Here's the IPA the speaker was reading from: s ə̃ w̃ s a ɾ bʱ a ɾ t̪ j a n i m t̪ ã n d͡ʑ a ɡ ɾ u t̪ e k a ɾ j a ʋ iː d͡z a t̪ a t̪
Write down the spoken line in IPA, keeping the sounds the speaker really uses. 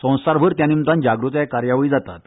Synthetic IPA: s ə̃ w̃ s a ɾ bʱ ə ɾ t̪ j a n i m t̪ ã n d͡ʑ a ɡ ɾ u t̪ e k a ɾ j a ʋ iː d͡z a t̪ a t̪